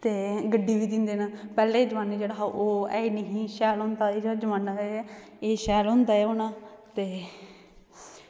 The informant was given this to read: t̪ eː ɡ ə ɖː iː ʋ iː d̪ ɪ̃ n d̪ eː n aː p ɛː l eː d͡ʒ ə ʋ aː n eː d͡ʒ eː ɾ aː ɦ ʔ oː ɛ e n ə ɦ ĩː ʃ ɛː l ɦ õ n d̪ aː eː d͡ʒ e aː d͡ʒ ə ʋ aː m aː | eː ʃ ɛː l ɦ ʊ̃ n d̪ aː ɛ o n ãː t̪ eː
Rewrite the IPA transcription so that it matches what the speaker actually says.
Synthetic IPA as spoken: t̪ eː ɡ ə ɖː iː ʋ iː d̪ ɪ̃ n d̪ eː n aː p ɛː l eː d͡ʒ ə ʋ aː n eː d͡ʒ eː ɽ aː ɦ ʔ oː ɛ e n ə ɦ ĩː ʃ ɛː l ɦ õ n d̪ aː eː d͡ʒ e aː d͡ʒ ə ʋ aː n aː | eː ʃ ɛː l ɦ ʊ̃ n d̪ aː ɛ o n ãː t̪ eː

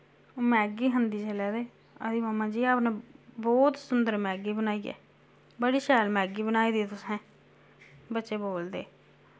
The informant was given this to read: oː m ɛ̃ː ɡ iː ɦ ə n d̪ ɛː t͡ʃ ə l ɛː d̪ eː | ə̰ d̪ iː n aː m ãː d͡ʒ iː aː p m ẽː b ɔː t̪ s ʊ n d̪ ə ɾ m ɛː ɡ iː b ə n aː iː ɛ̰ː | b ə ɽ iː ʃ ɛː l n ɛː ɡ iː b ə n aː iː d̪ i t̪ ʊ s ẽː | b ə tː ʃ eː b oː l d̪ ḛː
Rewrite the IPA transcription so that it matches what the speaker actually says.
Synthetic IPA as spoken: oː m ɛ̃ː ɡ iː ɦ ə n d̪ iː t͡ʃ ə l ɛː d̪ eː | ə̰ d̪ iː m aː m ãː d͡ʒ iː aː p n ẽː b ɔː t̪ s ʊ n d̪ ə ɾ m ɛː ɡ iː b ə n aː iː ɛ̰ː | b ə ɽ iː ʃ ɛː l m ɛː ɡ iː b ə n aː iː d̪ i t̪ ʊ s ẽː | b ə tː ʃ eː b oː l d̪ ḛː

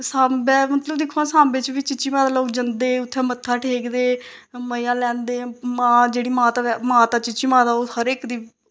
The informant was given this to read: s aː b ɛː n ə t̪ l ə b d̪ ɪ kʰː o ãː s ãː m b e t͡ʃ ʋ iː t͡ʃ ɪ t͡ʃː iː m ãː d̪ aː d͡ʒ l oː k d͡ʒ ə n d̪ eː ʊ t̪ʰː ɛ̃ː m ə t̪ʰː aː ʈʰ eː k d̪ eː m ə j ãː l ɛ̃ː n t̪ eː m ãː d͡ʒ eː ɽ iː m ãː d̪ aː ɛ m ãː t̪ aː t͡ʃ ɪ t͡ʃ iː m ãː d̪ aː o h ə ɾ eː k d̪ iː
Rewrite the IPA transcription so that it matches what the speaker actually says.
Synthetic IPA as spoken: s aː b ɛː m ə t̪ l ə b d̪ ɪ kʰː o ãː s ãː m b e t͡ʃ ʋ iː t͡ʃ ɪ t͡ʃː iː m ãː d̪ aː l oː k d͡ʒ ə n d̪ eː ʊ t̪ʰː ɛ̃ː m ə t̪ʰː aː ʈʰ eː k d̪ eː m ə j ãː l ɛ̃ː n d̪ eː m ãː d͡ʒ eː ɽ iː m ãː t̪ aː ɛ m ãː t̪ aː t͡ʃ ɪ t͡ʃ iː m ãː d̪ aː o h ə ɾ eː k d̪ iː

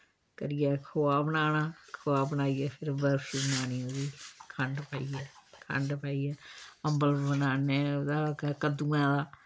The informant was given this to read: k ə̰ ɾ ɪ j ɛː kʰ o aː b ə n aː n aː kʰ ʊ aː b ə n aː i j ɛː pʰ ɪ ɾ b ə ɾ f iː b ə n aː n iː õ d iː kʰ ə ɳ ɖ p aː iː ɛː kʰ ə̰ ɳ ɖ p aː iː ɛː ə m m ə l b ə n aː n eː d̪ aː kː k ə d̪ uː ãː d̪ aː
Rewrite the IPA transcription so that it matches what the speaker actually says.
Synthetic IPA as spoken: k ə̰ ɾ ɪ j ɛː kʰ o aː b ə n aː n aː kʰ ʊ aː b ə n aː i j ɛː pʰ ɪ ɾ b ə ɾ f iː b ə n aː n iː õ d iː kʰ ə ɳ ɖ p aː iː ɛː kʰ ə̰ ɳ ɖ p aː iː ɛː ə m b ə l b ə n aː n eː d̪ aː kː k ə d̪ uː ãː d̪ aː

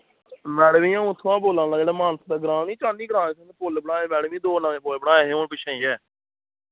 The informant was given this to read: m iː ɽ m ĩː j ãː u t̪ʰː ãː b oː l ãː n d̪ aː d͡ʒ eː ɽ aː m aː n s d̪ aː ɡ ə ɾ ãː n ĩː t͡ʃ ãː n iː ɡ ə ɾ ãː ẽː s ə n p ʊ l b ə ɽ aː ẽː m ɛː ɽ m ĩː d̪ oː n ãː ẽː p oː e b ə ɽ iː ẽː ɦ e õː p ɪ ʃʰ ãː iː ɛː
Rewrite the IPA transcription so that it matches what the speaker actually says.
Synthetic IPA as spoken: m ɛː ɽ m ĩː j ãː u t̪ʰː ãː b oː l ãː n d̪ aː d͡ʒ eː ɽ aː m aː n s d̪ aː ɡ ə ɾ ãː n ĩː t͡ʃ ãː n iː ɡ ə ɾ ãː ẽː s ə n p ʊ l b ə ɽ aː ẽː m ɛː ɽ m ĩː d̪ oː n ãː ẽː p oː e b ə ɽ aː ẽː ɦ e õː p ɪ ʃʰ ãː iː ɛː

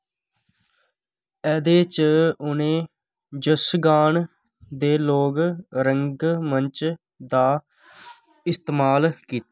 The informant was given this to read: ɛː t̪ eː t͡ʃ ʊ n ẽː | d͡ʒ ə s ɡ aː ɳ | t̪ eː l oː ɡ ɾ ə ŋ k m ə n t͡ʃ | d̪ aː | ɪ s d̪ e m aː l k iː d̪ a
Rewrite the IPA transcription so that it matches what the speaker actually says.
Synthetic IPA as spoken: ɛː d̪ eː t͡ʃ ʊ n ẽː | d͡ʒ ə s ɡ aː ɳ | d̪ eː l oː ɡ ɾ ə ŋ ɡ m ə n t͡ʃ | d̪ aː | ɪ s t̪ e m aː l k iː t̪ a

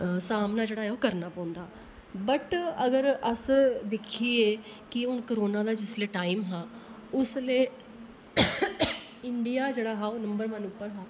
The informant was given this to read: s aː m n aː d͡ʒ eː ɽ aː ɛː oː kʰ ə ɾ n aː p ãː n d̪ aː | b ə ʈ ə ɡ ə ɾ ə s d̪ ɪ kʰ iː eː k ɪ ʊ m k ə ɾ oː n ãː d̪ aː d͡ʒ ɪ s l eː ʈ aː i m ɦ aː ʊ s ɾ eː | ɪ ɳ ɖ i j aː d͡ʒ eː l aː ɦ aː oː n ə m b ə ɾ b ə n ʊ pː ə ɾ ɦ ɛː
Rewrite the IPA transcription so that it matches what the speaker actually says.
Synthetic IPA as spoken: s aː m n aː d͡ʒ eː ɽ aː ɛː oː k ə ɾ n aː p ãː n d̪ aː | b ə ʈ ə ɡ ə ɾ ə s d̪ ɪ kʰ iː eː k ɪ ʊ n k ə ɾ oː n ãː d̪ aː d͡ʒ ɪ s l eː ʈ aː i m ɦ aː ʊ s l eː | ɪ ɳ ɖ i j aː d͡ʒ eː ɽ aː ɦ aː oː n ə m b ə ɾ m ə n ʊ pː ə ɾ ɦ aː

